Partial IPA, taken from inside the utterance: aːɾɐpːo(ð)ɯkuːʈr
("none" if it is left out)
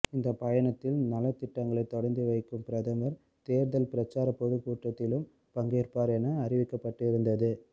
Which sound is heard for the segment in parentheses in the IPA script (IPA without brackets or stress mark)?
ð